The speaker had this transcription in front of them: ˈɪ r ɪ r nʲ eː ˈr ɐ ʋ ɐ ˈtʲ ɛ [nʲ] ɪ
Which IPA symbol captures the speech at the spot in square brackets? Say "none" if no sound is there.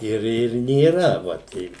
none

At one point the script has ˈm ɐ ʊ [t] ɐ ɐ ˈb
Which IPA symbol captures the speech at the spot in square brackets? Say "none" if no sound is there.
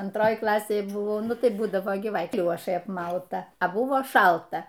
t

